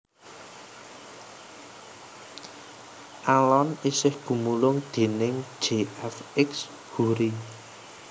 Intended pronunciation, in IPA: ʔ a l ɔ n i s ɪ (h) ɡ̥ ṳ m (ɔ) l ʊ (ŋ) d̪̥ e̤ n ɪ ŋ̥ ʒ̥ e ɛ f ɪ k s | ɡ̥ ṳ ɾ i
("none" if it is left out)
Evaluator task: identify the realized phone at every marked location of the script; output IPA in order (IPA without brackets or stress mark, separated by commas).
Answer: h, u, ŋ